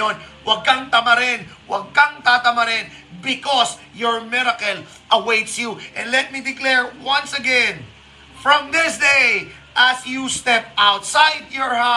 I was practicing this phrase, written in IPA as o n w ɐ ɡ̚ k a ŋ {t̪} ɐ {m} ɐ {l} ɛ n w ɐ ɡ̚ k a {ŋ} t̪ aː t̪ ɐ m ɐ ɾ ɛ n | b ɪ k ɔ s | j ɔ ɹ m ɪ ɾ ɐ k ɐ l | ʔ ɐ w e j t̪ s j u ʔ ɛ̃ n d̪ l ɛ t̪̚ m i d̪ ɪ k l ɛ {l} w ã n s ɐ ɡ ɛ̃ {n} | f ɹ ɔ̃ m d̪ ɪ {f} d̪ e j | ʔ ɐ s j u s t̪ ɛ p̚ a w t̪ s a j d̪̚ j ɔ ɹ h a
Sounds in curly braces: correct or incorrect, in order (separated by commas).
correct, correct, incorrect, correct, incorrect, correct, incorrect